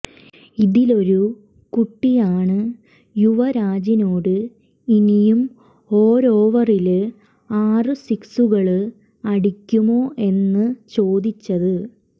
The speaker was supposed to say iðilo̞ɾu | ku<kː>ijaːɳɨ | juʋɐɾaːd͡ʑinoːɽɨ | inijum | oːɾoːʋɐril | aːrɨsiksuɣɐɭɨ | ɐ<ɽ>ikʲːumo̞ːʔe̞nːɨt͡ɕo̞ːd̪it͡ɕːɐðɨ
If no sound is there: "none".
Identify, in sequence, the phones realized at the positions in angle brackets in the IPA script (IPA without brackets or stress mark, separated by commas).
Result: ʈː, ɽ